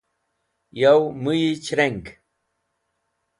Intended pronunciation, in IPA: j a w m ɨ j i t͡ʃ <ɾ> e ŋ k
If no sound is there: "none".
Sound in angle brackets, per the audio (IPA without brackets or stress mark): ɾ